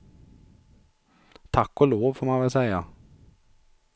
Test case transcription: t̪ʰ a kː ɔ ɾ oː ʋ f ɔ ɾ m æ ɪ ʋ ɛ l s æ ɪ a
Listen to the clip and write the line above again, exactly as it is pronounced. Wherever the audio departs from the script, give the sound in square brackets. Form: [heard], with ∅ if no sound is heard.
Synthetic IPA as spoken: t̪ʰ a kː ɔ [l] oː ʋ f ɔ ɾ m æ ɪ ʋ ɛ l s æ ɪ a